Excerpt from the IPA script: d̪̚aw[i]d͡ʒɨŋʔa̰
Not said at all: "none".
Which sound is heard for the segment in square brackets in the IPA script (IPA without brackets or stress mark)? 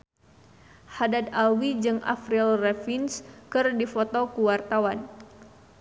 i